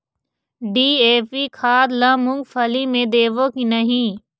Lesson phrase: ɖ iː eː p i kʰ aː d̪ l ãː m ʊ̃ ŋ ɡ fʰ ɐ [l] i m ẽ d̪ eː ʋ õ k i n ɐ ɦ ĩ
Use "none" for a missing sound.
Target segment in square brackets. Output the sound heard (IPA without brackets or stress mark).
l